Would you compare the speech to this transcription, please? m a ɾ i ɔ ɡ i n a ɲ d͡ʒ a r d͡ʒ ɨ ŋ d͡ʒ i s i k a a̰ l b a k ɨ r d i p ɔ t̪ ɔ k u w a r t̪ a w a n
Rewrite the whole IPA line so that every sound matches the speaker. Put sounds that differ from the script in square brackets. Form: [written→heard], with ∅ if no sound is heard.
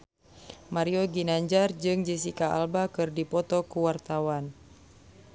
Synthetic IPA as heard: m a ɾ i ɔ ɡ i n a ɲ d͡ʒ a r d͡ʒ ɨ ŋ d͡ʒ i s i k a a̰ l b a k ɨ r d i p ɔ t̪ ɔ k u w a r t̪ a w a n